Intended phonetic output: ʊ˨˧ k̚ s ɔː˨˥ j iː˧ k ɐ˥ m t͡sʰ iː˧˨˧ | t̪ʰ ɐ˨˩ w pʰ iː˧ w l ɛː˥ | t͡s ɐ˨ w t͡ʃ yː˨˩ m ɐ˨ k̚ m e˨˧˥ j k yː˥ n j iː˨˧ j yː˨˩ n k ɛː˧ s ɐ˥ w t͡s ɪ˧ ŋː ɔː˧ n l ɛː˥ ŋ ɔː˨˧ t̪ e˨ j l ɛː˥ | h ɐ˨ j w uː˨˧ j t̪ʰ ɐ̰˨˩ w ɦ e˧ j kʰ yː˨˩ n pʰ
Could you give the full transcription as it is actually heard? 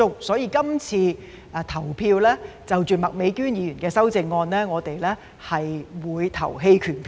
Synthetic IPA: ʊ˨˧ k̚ s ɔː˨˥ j iː˧ k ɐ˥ m t͡sʰ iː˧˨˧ | t̪ʰ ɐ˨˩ w pʰ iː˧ w l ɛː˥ | t͡s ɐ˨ w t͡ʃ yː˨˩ m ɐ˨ k̚ m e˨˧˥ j k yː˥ n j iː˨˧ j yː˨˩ n k ɛː˧ s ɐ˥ w t͡s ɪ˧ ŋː ɔː˧ n l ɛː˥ ŋ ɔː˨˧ t̪ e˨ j l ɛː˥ | h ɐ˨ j w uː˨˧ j t̪ʰ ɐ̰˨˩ w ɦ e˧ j kʰ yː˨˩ n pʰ